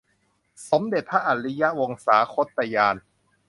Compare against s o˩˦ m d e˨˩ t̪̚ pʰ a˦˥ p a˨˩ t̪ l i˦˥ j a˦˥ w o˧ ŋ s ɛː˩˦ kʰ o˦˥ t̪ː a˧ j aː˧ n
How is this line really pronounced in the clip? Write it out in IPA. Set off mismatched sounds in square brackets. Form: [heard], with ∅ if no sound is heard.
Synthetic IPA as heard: s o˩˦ m d e˨˩ t̪̚ pʰ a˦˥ [ʔ] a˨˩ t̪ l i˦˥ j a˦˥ w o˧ ŋ s [aː˩˦] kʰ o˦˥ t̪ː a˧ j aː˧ n

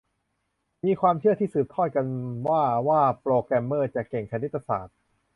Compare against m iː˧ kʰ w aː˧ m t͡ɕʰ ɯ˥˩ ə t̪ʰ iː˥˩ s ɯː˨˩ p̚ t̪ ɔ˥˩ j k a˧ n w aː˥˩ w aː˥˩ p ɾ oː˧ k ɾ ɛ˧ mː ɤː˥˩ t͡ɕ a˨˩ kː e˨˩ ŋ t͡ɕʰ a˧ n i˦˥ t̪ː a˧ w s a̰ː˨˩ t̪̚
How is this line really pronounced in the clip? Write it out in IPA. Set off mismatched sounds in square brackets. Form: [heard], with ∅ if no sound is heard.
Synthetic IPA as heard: m iː˧ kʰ w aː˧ m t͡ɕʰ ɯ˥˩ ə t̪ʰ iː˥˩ s ɯː˨˩ p̚ [t̪ʰ] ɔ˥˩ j k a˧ n w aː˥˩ w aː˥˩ p ɾ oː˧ k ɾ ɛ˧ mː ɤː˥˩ t͡ɕ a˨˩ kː e˨˩ ŋ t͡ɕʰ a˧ n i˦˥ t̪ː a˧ [∅] s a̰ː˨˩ t̪̚

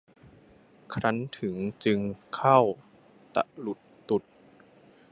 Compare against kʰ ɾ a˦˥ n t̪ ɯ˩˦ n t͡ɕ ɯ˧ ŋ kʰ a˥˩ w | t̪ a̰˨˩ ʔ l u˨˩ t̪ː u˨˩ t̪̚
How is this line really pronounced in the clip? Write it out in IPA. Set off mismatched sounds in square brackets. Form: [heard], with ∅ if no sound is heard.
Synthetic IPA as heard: kʰ ɾ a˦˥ n [t̪ʰ] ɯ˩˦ [ŋ] t͡ɕ ɯ˧ ŋ kʰ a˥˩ w | t̪ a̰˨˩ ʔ l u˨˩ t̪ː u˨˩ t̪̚

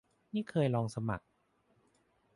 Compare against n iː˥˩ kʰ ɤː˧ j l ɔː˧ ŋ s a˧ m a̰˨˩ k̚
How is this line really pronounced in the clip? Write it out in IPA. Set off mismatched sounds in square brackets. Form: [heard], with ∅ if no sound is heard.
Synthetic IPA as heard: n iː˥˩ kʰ ɤː˧ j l ɔː˧ ŋ s a˧ m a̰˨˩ k̚

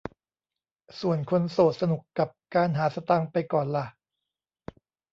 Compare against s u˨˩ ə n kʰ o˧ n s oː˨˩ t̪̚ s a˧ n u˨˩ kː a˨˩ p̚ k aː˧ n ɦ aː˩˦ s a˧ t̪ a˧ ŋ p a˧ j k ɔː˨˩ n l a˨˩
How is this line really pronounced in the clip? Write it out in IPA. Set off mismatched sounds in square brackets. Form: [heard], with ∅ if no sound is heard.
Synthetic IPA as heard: s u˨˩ ə n kʰ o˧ n s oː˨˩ t̪̚ s a˧ n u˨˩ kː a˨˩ p̚ k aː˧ n ɦ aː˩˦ s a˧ t̪ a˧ ŋ p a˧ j k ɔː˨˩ n l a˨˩

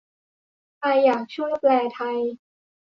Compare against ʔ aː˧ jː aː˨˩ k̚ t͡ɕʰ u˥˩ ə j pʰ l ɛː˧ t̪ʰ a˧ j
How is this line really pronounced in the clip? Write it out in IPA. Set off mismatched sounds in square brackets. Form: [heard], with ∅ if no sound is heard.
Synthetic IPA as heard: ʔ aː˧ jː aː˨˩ k̚ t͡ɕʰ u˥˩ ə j [p] l ɛː˧ t̪ʰ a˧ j

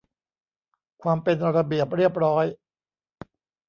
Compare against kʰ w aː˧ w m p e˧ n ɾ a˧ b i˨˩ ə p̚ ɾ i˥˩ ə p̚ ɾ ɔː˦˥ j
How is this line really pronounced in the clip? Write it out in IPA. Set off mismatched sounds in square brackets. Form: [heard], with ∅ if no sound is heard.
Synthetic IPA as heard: kʰ w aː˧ [∅] m p e˧ n ɾ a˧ b i˨˩ ə p̚ ɾ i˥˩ ə p̚ ɾ ɔː˦˥ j

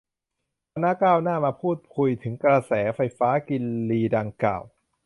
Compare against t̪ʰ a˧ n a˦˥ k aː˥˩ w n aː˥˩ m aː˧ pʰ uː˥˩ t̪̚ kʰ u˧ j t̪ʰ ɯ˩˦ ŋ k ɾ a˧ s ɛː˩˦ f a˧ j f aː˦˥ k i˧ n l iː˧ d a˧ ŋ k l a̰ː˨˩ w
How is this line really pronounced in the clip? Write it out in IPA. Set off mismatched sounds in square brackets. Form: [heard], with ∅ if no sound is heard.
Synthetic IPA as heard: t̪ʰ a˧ n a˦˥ k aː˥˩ w n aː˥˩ m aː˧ pʰ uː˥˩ t̪̚ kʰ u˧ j t̪ʰ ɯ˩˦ ŋ k ɾ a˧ s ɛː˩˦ f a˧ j f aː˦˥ k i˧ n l iː˧ d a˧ ŋ k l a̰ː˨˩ w

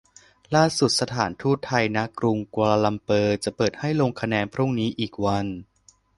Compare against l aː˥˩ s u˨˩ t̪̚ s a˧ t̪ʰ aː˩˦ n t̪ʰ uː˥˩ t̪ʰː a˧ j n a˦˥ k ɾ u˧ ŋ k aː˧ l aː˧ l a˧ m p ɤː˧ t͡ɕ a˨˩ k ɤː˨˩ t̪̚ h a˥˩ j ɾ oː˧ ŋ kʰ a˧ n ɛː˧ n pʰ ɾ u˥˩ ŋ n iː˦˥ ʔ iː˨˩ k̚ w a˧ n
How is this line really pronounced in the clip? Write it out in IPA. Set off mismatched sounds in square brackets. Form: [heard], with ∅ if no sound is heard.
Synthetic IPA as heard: l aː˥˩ s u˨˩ t̪̚ s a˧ t̪ʰ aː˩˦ n t̪ʰ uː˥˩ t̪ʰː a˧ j n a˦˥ k ɾ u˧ ŋ k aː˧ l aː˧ l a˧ m p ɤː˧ t͡ɕ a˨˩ [p] ɤː˨˩ t̪̚ h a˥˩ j [l] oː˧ ŋ kʰ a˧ n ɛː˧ n pʰ ɾ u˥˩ ŋ n iː˦˥ ʔ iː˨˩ k̚ w a˧ n

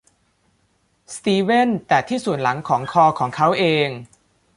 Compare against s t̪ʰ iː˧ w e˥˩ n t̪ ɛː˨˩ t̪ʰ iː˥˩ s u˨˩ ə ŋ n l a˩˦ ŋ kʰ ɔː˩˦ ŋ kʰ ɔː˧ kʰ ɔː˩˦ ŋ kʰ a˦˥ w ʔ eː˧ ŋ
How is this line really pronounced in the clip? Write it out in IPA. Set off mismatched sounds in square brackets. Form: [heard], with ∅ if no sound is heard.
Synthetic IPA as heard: s [t̪] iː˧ w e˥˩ n t̪ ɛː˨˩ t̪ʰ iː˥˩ s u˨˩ ə [∅] n l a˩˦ ŋ kʰ ɔː˩˦ ŋ kʰ ɔː˧ kʰ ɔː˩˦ ŋ kʰ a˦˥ w ʔ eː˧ ŋ

